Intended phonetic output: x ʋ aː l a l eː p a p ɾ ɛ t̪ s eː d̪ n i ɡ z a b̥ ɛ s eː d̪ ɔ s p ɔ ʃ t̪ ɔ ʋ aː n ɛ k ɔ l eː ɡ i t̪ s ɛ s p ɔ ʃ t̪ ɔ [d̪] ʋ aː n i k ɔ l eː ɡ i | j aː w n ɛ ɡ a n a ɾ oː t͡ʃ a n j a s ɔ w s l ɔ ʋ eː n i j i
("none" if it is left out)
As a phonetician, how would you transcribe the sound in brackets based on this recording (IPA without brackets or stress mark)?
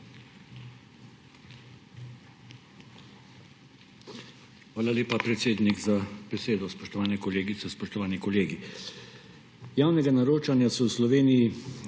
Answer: none